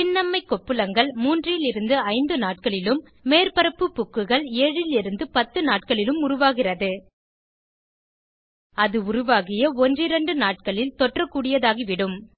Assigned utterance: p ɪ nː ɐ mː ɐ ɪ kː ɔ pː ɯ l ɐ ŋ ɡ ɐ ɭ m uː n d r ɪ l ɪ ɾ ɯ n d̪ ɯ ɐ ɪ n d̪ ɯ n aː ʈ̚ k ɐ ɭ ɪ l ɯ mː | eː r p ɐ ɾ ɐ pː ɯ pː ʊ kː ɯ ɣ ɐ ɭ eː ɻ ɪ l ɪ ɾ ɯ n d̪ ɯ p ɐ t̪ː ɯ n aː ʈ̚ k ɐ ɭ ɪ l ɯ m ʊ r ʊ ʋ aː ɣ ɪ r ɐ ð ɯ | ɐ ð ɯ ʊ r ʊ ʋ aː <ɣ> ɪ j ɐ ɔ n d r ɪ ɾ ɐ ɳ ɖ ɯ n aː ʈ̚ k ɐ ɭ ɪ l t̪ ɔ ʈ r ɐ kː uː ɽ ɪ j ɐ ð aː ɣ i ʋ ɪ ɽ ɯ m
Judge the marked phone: correct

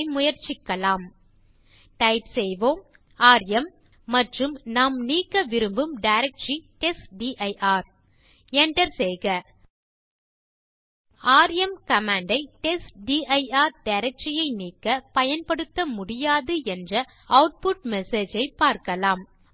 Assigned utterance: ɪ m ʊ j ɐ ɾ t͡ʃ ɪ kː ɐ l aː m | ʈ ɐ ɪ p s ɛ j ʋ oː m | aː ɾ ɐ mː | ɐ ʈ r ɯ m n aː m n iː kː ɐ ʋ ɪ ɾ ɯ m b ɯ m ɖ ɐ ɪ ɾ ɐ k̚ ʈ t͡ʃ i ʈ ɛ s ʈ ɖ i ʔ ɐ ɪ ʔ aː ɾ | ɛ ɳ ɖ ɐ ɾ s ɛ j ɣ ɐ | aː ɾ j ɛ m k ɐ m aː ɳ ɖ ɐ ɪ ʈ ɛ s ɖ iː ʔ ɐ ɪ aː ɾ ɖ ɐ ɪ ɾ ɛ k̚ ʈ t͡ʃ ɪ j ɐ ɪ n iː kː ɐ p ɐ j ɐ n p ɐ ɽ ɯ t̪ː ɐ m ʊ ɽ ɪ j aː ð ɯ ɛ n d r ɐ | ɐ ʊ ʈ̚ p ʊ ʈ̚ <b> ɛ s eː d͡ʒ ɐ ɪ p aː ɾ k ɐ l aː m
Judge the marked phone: incorrect: m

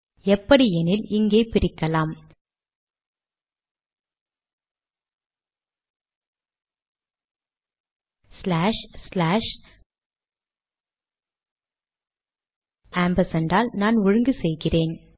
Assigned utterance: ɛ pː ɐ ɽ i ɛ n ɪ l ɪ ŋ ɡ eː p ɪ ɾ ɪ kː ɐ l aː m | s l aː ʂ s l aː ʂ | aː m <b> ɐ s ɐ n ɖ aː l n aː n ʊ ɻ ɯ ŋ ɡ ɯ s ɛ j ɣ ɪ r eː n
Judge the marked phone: correct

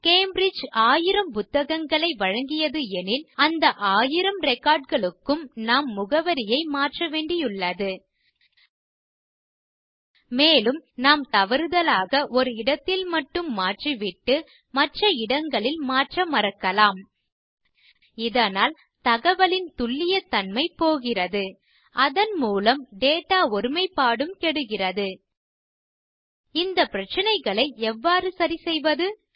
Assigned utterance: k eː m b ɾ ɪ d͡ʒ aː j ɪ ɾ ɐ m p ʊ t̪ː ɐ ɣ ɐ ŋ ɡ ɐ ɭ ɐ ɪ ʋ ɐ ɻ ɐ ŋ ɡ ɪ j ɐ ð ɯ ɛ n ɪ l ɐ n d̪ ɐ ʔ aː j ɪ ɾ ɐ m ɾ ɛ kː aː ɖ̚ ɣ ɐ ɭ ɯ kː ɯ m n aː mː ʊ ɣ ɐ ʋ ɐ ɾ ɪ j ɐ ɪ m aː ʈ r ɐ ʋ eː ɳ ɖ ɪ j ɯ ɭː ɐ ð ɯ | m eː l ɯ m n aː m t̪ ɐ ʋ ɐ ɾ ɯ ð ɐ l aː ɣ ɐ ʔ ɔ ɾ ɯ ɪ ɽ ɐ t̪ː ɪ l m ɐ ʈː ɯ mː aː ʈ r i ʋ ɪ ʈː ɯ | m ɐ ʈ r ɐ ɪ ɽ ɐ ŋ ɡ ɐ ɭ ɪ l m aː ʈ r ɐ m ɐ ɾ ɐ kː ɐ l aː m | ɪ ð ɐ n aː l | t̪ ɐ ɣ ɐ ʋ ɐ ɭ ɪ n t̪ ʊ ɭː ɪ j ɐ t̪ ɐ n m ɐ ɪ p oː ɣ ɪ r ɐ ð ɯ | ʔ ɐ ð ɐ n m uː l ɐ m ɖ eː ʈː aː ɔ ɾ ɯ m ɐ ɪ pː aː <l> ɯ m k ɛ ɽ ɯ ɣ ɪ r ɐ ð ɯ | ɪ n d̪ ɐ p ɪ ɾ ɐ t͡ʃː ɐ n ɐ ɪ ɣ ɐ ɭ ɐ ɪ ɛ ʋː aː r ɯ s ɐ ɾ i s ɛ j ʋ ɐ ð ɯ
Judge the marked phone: incorrect: ɽ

